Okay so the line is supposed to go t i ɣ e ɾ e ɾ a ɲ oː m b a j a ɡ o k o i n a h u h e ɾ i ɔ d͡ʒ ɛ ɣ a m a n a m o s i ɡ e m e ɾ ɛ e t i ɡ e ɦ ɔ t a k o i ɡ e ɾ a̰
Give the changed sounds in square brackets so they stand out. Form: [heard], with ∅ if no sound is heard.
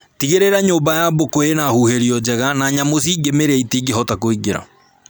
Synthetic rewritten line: t i ɣ e ɾ e ɾ a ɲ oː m b a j a [b] o k o [e] n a h u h e ɾ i ɔ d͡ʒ ɛ ɣ a [n] a [ɲ] a m o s i ɡ e m e ɾ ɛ [i] t i ɡ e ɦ ɔ t a k o i ɡ e ɾ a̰

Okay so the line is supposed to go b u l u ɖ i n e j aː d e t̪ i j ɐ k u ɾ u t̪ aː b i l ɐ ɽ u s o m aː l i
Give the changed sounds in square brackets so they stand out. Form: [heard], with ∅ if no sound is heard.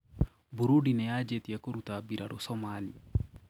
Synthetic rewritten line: b u [ɾ] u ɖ i n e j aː [d͡ʒ] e t̪ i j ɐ k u ɾ u t̪ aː b i [ɾ] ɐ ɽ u s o m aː l i

